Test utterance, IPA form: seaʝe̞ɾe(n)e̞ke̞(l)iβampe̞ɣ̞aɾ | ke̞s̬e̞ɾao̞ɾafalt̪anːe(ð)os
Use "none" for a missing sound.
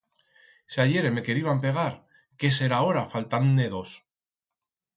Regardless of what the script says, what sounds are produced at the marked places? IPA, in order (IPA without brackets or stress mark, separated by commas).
m, ɾ, ð